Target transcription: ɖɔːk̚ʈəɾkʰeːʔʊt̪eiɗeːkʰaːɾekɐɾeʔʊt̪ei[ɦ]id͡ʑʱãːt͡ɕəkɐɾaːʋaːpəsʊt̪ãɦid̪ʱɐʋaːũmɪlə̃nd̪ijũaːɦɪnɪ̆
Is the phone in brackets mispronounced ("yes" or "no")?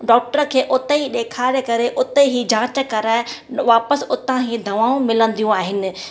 no